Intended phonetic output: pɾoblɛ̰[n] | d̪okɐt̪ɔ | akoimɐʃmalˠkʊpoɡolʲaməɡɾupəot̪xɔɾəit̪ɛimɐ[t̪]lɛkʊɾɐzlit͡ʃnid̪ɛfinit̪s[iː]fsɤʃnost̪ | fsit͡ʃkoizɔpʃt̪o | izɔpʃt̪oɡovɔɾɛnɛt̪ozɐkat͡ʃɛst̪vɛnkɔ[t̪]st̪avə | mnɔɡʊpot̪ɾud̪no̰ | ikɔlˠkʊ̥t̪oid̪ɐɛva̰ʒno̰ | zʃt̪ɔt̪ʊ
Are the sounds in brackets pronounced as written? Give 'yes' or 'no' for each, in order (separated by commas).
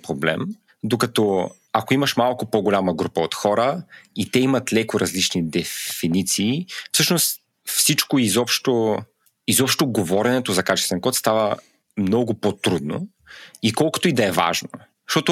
no, yes, yes, yes